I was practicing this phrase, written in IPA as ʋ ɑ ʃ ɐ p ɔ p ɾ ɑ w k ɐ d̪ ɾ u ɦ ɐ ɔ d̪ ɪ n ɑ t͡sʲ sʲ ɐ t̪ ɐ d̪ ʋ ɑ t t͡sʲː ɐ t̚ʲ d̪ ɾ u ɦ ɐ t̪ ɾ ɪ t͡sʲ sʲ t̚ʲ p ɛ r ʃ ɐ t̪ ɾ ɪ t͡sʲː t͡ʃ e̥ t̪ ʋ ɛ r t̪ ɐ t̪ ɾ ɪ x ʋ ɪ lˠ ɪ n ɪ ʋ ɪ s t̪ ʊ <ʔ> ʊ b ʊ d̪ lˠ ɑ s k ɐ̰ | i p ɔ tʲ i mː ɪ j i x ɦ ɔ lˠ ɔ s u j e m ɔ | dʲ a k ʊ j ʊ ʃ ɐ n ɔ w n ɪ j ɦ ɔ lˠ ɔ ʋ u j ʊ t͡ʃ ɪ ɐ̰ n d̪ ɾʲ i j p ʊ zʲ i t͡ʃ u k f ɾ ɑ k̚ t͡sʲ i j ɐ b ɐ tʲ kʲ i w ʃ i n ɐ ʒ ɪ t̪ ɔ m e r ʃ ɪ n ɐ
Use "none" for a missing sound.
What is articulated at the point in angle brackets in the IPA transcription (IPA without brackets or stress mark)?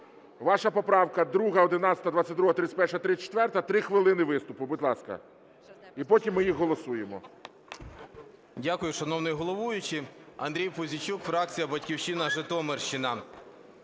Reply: p